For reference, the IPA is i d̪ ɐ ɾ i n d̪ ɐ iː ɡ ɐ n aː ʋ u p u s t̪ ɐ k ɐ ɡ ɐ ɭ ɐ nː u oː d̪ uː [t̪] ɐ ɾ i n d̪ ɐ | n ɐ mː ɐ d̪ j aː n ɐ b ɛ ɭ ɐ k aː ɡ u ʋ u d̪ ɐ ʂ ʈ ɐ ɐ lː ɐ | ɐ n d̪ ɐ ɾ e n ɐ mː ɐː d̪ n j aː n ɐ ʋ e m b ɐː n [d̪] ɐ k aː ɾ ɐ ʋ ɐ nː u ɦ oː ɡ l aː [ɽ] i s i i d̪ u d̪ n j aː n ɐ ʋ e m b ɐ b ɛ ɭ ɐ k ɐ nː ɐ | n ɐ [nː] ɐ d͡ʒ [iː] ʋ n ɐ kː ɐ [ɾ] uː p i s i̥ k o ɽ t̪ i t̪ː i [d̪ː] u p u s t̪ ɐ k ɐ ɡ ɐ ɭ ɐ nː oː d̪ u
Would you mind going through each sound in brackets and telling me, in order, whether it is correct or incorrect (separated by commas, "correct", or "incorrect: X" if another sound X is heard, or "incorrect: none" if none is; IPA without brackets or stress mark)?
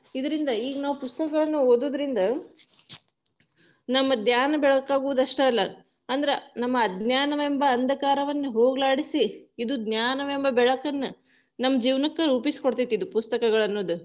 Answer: incorrect: d̪, correct, correct, incorrect: mː, correct, correct, incorrect: d̪